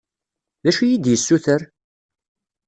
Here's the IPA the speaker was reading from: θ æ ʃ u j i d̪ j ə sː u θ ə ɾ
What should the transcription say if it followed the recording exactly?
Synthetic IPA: ð æ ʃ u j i d̪ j ə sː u θ ə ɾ

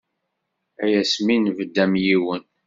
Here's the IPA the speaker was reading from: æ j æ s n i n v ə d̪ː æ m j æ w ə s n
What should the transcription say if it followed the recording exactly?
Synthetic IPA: æ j æ s m i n v ə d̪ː æ m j i w ə n

